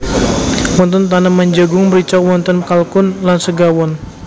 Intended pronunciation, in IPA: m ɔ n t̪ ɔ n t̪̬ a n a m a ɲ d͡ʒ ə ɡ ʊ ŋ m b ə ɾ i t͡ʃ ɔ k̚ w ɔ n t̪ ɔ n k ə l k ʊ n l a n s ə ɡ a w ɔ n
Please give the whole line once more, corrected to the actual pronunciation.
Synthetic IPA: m ɔ n t̪ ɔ n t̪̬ a n a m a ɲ d͡ʒ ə ɡ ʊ ŋ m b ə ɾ i t͡ʃ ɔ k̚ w ɔ n t̪ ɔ n k a l k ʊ n l a n s ə ɡ a w ɔ n